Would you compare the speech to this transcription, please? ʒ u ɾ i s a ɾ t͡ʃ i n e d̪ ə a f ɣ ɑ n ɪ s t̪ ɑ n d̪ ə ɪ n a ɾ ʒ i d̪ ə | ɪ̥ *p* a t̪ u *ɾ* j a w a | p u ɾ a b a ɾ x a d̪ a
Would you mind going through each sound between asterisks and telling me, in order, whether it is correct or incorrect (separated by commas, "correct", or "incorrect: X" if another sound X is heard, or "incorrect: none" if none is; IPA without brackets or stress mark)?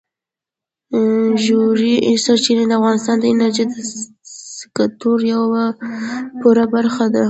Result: incorrect: k, correct